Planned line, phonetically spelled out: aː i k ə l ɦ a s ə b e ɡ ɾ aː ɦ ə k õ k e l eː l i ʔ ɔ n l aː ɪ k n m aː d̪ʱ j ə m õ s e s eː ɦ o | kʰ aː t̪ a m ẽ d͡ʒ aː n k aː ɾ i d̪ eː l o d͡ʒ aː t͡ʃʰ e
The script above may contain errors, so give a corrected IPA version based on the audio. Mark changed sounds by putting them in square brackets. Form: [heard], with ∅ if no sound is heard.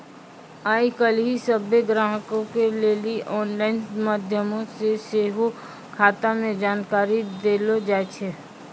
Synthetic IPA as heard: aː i k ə l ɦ [i] s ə b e ɡ ɾ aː ɦ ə k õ k e l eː l i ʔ [ɔː] n l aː ɪ [∅] n m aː d̪ʱ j ə m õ s e s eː ɦ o | kʰ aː t̪ a m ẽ d͡ʒ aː n k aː ɾ i d̪ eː l o d͡ʒ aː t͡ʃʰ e